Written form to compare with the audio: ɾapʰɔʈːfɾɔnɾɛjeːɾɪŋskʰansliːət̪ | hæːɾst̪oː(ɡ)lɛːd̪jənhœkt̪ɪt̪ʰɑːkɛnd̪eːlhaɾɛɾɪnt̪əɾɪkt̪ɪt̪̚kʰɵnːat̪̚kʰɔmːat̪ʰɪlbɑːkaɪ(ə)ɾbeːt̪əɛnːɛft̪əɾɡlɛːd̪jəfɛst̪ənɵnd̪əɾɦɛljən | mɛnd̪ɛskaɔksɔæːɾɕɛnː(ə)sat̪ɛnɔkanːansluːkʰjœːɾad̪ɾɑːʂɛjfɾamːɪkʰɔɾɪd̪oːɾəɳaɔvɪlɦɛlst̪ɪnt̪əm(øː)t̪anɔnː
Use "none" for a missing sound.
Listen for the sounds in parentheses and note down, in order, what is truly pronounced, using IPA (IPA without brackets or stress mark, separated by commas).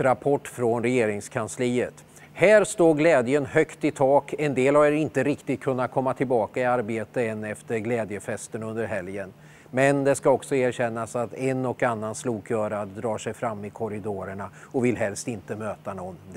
ɡ, a, a, øː